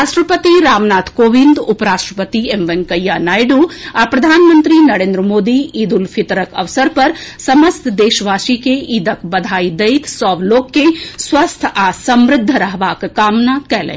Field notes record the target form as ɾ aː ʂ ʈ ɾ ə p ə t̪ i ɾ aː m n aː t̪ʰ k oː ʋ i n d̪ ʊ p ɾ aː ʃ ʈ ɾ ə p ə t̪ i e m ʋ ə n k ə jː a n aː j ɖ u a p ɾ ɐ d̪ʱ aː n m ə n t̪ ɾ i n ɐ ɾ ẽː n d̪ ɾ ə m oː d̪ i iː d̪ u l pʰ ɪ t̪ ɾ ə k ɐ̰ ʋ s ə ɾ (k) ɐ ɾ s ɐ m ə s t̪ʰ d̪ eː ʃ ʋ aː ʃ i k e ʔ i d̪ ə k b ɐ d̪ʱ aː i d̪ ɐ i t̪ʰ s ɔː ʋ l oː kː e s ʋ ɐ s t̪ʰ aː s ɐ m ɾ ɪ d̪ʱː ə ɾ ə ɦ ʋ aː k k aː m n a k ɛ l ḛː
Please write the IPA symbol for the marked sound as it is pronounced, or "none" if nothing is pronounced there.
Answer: p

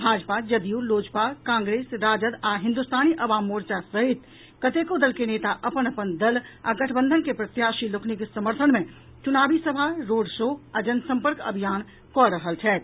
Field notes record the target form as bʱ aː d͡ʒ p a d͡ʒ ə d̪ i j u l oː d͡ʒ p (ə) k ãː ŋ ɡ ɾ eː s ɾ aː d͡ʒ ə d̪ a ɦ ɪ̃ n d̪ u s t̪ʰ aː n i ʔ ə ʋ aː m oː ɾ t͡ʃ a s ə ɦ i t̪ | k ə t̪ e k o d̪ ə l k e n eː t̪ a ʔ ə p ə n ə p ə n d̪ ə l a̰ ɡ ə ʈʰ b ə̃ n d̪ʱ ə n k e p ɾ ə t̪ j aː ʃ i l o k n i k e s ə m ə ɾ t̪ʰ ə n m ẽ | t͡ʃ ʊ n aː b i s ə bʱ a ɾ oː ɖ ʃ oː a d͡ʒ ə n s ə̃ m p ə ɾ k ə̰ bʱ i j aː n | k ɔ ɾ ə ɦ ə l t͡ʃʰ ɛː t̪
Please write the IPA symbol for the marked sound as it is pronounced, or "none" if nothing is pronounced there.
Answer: a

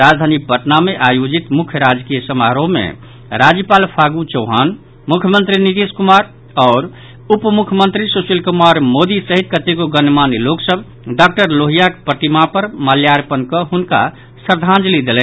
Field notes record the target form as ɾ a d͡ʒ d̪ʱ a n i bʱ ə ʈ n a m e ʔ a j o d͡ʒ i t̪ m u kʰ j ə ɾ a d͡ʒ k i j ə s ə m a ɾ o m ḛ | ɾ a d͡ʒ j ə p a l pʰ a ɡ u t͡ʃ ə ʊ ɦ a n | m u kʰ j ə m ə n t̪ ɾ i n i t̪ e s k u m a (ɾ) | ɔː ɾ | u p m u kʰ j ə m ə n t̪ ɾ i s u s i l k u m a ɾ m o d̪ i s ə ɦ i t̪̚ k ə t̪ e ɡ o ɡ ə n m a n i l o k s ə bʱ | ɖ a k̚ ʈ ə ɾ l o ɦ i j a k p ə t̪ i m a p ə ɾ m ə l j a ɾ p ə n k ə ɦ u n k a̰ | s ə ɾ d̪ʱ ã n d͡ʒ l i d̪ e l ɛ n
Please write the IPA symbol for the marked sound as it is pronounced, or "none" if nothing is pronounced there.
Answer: ɾ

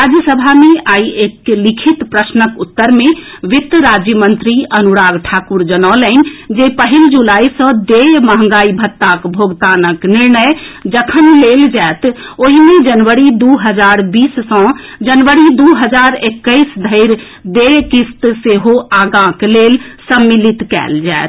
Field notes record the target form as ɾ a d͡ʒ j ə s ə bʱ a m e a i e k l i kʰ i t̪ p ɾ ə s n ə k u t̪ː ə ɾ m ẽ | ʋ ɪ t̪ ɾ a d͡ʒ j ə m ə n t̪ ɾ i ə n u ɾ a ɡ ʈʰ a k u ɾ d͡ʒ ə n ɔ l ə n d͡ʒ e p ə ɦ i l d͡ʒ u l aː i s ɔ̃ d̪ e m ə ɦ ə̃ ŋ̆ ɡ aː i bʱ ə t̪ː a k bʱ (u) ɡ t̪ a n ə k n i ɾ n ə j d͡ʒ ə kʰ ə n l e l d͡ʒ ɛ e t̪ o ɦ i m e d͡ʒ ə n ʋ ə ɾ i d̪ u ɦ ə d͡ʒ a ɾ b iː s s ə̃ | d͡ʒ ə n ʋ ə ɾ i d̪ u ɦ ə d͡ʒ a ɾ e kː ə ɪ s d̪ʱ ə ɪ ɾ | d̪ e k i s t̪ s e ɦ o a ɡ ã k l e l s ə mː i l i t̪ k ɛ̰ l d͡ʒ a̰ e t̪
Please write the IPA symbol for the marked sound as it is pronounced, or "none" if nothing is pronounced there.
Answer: o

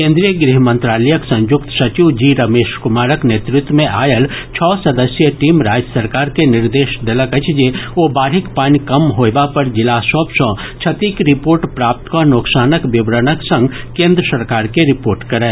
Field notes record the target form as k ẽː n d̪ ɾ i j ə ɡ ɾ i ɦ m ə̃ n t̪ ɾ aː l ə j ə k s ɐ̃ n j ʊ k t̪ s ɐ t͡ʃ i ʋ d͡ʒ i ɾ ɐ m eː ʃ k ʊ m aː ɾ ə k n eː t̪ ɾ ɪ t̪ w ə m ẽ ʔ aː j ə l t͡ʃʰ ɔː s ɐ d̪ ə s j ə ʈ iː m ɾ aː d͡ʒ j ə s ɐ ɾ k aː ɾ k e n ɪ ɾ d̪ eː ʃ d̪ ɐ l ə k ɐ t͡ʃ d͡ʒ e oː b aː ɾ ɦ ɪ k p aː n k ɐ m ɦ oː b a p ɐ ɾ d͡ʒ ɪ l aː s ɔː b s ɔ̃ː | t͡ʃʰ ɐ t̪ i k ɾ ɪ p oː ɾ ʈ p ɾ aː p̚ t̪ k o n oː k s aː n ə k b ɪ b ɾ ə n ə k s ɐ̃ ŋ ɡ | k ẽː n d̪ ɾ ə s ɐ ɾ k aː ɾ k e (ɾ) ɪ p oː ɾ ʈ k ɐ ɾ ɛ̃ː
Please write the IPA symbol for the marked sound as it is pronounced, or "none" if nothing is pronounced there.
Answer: ɾ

